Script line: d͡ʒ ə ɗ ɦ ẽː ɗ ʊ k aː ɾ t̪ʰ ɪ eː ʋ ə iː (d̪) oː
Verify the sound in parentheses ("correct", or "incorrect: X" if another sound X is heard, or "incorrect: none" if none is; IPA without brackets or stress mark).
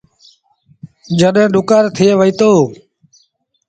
incorrect: t̪